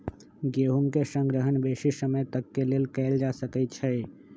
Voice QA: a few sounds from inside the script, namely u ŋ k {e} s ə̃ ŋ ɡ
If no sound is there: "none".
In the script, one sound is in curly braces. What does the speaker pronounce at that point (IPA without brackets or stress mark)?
e